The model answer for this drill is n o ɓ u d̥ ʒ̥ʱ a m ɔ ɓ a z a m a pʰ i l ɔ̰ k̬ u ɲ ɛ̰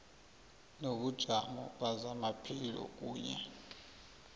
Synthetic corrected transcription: n o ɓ u d̥ ʒ̥ʱ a m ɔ ɓ a z a m a pʰ i l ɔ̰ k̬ uː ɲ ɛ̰